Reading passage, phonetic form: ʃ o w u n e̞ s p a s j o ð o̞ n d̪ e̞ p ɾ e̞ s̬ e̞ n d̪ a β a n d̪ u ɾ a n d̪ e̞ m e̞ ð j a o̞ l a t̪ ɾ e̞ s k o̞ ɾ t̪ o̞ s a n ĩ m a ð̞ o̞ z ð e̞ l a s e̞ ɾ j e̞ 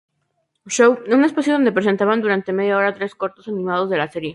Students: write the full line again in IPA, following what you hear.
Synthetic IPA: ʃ o w u n e̞ s p a s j o ð o̞ n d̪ e̞ p ɾ e̞ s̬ e̞ n t̪ a β a n d̪ u ɾ a n t̪ e̞ m e̞ ð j a o̞ ɾ a t̪ ɾ e̞ s k o̞ ɾ t̪ o̞ s a n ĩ m a ð̞ o̞ z ð e̞ l a s e̞ ɾ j e̞